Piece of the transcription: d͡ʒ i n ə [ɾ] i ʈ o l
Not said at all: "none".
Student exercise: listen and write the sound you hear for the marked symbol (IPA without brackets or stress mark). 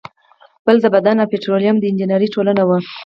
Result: ɾ